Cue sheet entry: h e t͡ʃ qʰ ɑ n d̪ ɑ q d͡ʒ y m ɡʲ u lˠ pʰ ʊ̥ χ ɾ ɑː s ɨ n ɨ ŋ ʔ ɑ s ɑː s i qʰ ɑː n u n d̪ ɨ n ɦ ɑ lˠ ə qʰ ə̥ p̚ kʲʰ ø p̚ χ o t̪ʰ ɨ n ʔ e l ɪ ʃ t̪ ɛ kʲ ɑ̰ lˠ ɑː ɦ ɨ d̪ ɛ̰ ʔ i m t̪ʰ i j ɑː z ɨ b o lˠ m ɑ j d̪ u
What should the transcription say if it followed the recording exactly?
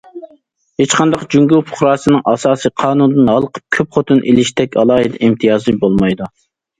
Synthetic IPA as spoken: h e t͡ʃ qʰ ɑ n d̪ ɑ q d͡ʒ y ŋ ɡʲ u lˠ pʰ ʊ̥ χ ɾ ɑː s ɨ n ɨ ŋ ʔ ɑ s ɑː s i qʰ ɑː n u n d̪ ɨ n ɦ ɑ lˠ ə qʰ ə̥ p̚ kʲʰ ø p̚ χ o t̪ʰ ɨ n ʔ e l ɪ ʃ t̪ ɛ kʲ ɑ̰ lˠ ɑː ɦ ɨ d̪ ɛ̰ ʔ i m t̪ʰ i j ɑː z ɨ b o lˠ m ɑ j d̪ u